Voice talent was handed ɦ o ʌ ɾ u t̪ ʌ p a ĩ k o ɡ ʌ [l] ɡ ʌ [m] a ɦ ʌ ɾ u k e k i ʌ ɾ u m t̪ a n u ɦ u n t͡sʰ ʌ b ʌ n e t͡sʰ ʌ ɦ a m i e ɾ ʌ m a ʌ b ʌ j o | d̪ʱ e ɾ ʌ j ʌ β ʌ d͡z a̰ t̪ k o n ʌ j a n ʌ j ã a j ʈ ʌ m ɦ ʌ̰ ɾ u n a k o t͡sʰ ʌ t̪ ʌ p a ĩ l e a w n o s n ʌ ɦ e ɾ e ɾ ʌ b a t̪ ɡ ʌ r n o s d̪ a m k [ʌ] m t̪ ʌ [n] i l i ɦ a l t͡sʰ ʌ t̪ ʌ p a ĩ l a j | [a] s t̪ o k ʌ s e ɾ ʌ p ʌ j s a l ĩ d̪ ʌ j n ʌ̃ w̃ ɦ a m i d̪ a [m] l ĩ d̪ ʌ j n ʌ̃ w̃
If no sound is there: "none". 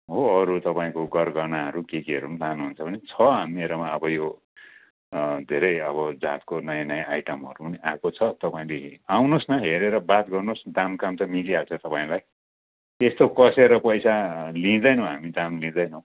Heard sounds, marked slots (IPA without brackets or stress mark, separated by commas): r, n, a, m, e, m